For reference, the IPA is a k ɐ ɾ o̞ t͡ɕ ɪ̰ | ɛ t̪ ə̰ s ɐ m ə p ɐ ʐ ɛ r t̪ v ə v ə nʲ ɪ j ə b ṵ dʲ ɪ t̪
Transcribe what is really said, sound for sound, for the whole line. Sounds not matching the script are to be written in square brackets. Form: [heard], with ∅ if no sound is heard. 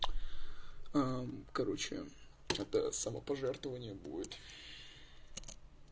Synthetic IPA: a k ɐ ɾ o̞ t͡ɕ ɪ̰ | ɛ t̪ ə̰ s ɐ m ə p ɐ ʐ ɛ r t̪ v ə v ə nʲ ɪ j ə b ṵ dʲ ɪ t̪